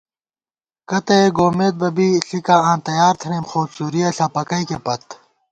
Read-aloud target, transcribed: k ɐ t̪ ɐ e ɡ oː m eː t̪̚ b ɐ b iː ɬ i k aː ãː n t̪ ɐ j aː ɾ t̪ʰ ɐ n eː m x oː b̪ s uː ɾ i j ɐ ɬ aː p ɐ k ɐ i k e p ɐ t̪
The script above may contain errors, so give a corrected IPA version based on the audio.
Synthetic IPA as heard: k ɐ t̪ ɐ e ɡ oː m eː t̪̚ b ɐ b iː ɬ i k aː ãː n t̪ ɐ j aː ɾ t̪ʰ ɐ n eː m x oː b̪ s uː ɾ i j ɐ ɬ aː p ɐ k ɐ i k e p ɐ t̪